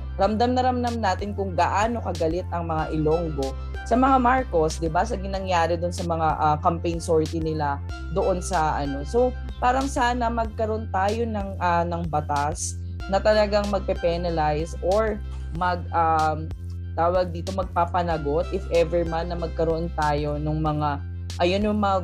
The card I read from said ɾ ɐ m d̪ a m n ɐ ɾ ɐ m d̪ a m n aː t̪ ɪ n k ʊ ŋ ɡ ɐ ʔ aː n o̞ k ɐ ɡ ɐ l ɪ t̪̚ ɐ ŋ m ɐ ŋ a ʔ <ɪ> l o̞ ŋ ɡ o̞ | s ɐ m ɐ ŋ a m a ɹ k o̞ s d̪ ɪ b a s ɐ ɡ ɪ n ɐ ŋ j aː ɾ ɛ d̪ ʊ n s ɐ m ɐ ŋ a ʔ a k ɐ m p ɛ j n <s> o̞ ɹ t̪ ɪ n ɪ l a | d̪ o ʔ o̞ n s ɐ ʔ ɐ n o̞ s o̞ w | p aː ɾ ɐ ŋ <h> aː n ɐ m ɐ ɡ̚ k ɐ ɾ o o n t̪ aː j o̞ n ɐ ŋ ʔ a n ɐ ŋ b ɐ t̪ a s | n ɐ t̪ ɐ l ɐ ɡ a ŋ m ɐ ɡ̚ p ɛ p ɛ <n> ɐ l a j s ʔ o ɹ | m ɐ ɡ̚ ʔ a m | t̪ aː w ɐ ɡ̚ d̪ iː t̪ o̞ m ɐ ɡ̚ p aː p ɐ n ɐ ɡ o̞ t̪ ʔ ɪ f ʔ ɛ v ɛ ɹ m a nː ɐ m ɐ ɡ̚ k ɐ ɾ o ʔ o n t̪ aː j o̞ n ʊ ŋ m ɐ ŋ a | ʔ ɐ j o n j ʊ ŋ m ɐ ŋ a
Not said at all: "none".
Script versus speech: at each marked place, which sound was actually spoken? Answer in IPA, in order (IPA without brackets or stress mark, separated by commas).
ɪ, s, s, n